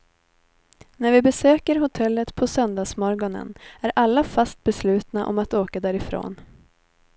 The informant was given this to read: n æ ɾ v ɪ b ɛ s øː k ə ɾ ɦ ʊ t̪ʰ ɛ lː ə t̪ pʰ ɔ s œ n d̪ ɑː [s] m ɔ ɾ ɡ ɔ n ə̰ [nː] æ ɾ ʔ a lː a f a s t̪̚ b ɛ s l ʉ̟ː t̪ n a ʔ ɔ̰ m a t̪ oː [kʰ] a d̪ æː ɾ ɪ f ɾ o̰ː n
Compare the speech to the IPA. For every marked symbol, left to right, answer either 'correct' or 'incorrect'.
correct, incorrect: n, incorrect: k

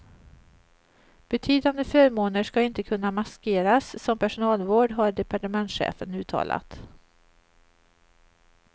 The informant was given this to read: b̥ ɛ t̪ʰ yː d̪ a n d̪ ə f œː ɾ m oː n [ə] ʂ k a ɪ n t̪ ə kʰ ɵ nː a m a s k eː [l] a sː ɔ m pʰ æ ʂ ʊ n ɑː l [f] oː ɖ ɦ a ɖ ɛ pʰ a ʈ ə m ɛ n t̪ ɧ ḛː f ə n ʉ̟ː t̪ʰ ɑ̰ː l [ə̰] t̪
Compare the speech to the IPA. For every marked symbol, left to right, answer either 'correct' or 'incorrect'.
correct, incorrect: ɾ, incorrect: v, incorrect: a̰

